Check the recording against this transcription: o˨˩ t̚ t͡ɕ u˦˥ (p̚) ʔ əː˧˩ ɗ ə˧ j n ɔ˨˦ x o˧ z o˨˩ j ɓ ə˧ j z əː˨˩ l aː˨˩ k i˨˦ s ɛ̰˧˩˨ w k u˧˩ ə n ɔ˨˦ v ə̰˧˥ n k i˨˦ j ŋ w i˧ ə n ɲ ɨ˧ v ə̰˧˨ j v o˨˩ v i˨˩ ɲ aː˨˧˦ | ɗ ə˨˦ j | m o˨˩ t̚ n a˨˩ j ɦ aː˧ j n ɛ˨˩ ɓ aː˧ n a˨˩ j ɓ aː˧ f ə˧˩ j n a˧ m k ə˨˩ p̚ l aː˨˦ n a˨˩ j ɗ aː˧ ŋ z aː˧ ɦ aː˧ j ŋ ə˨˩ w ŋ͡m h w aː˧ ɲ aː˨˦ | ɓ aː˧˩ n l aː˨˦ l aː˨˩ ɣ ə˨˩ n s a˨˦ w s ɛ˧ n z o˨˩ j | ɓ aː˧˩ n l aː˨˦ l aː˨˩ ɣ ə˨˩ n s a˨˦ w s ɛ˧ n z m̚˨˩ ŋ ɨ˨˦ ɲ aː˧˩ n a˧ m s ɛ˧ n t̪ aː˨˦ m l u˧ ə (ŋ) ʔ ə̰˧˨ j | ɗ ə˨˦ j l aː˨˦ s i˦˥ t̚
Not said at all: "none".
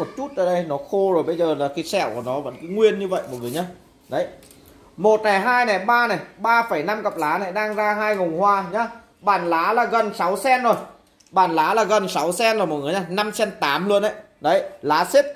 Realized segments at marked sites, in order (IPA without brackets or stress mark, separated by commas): t̚, n